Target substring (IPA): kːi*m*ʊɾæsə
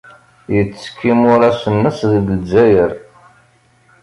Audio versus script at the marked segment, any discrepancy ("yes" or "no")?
no